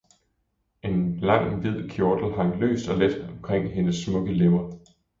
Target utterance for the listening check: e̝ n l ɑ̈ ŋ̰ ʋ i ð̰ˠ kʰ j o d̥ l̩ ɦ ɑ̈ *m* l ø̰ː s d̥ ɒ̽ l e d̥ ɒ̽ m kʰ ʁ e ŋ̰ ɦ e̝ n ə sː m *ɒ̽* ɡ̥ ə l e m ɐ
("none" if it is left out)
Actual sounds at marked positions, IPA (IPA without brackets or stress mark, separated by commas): ŋ, ɔ̽